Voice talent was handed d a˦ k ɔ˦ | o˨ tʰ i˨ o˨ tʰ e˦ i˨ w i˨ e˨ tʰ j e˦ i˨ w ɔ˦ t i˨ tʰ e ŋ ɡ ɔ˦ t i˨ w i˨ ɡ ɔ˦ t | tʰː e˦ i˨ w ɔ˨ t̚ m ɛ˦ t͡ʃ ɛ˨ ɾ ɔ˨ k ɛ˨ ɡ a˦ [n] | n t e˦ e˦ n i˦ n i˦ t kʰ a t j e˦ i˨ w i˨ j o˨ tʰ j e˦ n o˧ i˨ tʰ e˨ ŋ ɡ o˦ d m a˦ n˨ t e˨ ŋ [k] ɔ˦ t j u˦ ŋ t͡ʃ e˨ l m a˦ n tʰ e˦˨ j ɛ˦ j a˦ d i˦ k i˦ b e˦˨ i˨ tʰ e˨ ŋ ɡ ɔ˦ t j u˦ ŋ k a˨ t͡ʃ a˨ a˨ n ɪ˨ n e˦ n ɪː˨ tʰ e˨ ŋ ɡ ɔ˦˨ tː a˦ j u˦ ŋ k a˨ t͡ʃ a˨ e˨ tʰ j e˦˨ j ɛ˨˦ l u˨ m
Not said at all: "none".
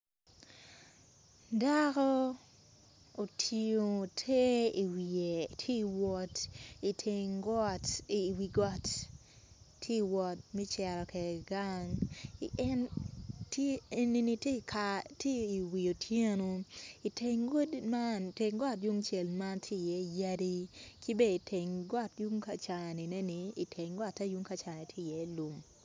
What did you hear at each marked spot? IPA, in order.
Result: ŋ, ɡ

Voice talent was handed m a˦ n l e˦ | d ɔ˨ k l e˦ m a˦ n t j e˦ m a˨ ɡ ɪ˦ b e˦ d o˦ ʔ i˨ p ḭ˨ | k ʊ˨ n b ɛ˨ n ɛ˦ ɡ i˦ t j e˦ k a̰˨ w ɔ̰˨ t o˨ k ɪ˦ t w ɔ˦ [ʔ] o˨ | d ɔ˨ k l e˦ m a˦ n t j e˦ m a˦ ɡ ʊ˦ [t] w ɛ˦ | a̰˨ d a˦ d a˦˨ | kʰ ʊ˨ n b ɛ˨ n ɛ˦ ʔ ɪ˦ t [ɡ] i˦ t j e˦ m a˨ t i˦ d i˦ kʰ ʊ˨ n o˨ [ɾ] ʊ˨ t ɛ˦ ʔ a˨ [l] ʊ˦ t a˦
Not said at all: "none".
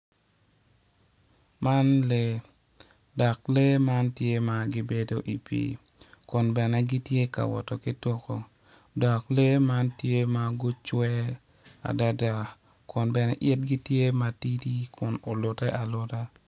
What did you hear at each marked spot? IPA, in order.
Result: k, t͡ʃ, ɡ, l, l

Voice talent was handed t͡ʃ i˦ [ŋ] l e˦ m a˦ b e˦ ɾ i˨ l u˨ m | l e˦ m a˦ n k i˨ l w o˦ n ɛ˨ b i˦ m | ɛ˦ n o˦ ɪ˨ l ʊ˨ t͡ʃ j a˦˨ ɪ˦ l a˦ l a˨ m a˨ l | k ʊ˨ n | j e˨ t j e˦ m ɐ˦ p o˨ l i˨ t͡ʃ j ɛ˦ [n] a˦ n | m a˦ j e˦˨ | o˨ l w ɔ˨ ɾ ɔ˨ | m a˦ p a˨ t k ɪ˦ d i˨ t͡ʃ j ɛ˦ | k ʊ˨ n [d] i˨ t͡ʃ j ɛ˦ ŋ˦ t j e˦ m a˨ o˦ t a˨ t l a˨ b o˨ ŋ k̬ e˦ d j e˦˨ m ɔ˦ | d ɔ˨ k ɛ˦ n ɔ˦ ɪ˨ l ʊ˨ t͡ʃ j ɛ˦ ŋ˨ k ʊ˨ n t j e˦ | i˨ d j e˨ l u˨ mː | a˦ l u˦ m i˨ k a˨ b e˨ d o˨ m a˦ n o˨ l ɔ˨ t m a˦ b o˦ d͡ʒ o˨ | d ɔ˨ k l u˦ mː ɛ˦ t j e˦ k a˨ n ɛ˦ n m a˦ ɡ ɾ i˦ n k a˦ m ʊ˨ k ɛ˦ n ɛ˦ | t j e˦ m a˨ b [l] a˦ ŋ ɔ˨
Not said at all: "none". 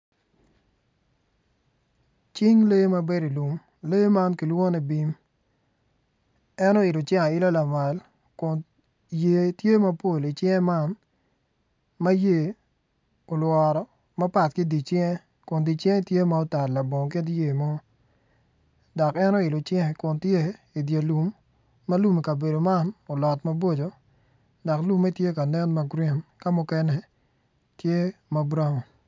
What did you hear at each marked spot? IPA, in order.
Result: ŋ, m, d, ɾ

